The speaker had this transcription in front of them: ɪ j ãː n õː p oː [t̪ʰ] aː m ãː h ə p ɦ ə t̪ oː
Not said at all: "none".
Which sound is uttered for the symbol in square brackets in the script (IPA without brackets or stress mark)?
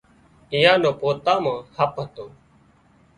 t̪